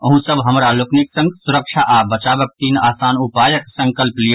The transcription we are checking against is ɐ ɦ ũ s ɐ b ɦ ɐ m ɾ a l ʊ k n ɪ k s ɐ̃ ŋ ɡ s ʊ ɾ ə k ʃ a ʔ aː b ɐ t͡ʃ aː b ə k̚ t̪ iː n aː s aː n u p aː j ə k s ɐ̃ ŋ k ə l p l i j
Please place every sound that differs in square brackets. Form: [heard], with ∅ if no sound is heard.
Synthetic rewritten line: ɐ ɦ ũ s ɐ b ɦ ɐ m ɾ a l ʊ k n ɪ k s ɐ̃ ŋ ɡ s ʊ ɾ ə k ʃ a ʔ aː b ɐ t͡ʃ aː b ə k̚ t̪ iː n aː s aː n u p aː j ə k s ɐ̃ ŋ k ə l p l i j